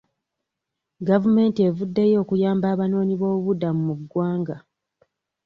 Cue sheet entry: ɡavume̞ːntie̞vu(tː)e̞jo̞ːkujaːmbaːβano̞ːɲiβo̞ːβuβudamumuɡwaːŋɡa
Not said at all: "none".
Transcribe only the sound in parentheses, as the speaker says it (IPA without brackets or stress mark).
dː